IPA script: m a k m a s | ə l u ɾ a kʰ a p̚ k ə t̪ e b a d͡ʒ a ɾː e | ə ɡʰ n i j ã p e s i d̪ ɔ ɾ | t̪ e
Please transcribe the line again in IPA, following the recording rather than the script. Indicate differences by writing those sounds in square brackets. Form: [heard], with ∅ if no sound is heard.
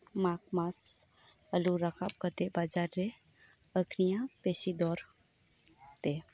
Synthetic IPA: m a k m a s | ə l u ɾ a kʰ a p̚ k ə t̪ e b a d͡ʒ a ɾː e | ə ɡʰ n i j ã p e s i d̪ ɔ ɾ | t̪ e